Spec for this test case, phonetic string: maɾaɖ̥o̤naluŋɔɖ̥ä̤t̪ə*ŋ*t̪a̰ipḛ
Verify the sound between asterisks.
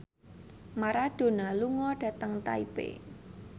correct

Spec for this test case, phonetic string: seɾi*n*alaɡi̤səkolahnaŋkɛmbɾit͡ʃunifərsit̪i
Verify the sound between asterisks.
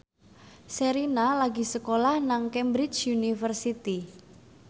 correct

